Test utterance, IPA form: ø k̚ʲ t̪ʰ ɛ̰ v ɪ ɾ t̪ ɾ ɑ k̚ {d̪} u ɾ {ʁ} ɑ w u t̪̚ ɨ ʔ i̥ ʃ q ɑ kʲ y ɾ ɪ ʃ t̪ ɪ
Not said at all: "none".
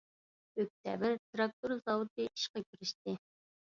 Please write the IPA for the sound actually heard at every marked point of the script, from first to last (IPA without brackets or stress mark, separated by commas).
t̪, z